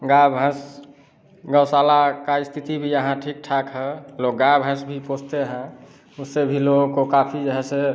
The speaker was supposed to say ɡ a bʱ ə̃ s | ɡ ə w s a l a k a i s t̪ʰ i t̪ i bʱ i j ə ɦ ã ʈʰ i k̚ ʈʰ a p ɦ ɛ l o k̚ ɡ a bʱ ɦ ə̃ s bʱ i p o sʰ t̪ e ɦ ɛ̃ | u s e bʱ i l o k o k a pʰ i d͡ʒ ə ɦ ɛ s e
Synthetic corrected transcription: ɡ a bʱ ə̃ s | ɡ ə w s a l a k a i s t̪ʰ i t̪ i bʱ i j ə ɦ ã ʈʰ i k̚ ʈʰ a k ɦ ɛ l o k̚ ɡ a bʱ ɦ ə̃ s bʱ i p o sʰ t̪ e ɦ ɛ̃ | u s e bʱ i l o k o k a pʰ i d͡ʒ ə ɦ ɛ s e

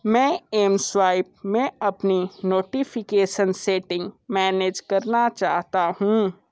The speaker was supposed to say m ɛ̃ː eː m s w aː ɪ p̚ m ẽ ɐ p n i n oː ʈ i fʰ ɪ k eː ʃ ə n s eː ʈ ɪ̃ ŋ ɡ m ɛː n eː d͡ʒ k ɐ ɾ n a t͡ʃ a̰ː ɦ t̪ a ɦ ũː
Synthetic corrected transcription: m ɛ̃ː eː m s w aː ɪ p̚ m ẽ ɐ p n i n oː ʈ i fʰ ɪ k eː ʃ ə n s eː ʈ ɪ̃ ŋ ɡ m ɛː n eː d͡ʒ k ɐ ɾ n a t͡ʃ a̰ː ɦ t̪ a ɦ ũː

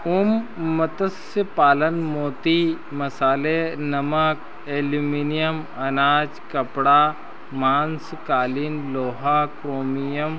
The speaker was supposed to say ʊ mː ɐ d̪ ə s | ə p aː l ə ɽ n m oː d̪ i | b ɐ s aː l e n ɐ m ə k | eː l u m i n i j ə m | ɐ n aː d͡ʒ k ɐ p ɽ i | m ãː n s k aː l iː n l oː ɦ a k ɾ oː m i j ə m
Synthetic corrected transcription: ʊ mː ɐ t̪ ə s | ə p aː l ə n m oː t̪ i | m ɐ s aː l e n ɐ m ə k | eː l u m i n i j ə m | ɐ n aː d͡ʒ k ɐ p ɽ a | m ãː n s k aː l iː n l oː ɦ a k ɾ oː m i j ə m

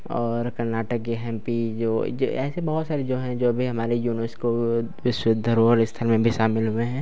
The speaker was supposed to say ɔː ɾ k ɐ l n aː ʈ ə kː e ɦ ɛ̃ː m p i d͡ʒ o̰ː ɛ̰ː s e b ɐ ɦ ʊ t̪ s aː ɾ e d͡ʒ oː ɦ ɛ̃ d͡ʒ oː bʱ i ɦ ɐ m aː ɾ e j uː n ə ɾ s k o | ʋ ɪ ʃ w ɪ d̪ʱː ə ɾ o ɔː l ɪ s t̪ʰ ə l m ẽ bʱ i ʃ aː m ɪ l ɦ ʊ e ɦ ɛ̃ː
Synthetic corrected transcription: ɔː ɾ k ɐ ɾ n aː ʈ ə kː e ɦ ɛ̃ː m p i d͡ʒ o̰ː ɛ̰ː s e b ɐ ɦ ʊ t̪ s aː ɾ e d͡ʒ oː ɦ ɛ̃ d͡ʒ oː bʱ i ɦ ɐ m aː ɾ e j uː n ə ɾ s k o | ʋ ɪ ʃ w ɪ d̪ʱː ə ɾ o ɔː ɾ ɪ s t̪ʰ ə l m ẽ bʱ i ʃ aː m ɪ l ɦ ʊ e ɦ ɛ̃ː

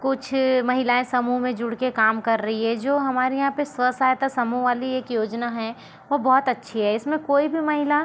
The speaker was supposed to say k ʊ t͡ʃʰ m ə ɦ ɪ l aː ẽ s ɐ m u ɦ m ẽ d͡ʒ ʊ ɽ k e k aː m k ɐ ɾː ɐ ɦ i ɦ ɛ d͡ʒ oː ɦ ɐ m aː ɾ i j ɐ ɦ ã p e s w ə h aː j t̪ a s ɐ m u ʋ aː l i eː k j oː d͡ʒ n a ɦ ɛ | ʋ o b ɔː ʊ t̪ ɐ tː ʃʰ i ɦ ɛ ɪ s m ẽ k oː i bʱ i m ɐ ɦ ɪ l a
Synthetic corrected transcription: k ʊ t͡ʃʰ m ɐ ɦ ɪ l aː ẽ s ɐ m u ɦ m ẽ d͡ʒ ʊ ɽ k e k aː m k ɐ ɾː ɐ ɦ i ɦ ɛ d͡ʒ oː ɦ ɐ m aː ɾ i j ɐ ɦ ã p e s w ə s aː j t̪ a s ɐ m u ʋ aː l i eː k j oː d͡ʒ n a ɦ ɛ | ʋ o b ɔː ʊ t̪ ɐ tː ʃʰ i ɦ ɛ ɪ s m ẽ k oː i bʱ i m ɐ ɦ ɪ l a

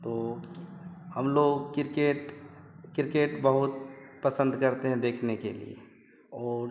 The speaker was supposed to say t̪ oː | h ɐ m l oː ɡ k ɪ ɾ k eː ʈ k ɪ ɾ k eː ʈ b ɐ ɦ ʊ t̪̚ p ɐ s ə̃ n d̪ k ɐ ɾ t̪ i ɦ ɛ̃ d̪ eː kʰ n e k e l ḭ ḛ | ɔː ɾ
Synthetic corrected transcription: t̪ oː | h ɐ m l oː ɡ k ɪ ɾ k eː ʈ k ɪ ɾ k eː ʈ b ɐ ɦ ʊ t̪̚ p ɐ s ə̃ n d̪ k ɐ ɾ t̪ e ɦ ɛ̃ d̪ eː kʰ n e k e l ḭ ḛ | ɔː ɾ

